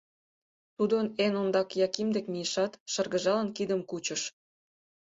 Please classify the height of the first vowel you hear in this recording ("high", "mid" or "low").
high